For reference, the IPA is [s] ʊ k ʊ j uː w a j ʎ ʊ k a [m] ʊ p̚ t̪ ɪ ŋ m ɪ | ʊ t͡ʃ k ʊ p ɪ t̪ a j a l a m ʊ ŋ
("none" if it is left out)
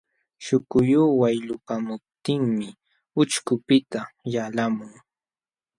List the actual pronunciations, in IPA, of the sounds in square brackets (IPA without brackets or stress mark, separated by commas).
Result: ʃ, m